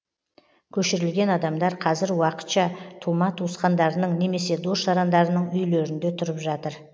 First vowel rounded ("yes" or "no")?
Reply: yes